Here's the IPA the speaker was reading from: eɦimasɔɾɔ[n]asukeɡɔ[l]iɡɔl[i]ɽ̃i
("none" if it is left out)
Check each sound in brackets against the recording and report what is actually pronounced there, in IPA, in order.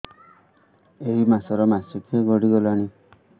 m, ɽ, a

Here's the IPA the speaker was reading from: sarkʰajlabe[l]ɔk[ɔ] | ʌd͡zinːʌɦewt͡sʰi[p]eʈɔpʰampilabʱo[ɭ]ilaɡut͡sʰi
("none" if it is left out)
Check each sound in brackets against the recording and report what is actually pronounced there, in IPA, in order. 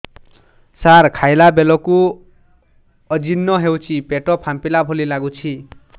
l, u, p, l

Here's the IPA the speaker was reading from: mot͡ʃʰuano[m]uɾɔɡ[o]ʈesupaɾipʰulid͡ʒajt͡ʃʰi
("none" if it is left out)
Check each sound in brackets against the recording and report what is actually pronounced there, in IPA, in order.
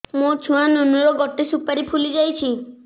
n, ɔ

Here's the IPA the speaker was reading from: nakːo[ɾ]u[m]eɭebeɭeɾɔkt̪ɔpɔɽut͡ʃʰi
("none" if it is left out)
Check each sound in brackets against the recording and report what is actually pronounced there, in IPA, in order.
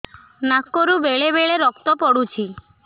ɾ, b

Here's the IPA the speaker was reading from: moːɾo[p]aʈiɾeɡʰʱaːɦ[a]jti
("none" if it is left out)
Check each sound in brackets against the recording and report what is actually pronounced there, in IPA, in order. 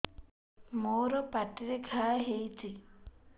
p, e

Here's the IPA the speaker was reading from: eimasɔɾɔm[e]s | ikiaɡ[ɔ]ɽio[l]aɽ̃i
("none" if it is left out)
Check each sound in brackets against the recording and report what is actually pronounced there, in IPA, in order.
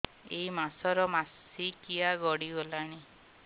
a, ɔ, l

